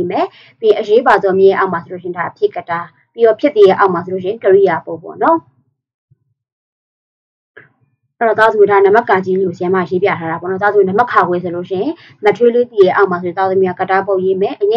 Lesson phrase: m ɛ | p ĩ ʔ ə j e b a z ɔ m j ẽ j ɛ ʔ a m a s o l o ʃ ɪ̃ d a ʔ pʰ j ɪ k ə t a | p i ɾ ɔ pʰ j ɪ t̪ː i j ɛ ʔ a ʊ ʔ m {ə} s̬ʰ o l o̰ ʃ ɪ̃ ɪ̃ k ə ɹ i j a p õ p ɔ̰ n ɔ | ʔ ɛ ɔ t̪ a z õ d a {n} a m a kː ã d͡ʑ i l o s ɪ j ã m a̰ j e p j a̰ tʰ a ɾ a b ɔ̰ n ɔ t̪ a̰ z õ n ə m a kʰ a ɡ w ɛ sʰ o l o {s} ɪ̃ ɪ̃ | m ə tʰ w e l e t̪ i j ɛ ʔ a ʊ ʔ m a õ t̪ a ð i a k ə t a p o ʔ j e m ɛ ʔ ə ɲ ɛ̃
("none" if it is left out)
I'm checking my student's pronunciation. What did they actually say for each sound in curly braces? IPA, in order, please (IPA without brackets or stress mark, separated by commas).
a, n, ʃ